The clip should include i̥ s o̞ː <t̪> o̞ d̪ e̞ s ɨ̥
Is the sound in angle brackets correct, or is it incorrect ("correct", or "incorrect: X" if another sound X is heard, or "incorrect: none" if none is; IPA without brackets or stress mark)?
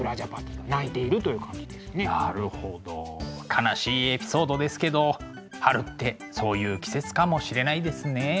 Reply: incorrect: d̪